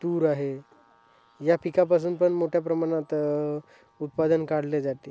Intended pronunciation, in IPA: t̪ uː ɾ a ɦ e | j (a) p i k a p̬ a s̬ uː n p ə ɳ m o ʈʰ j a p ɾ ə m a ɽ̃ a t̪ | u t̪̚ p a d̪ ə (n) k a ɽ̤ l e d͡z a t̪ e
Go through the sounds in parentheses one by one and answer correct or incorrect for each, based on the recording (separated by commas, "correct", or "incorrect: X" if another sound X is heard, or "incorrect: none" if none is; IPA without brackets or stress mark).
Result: correct, correct